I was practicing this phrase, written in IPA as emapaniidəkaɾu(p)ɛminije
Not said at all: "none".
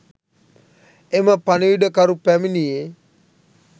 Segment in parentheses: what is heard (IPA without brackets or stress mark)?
p